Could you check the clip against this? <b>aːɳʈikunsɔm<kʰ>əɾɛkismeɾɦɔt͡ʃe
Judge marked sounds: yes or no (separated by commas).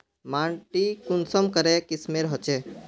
no, no